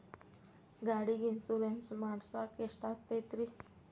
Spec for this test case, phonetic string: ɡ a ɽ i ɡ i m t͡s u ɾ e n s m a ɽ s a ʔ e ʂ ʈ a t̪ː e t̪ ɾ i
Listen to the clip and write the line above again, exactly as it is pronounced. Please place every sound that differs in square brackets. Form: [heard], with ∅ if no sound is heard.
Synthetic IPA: ɡ a ɽ i ɡ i [n] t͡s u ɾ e n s m a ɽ s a [k] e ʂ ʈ a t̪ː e t̪ ɾ i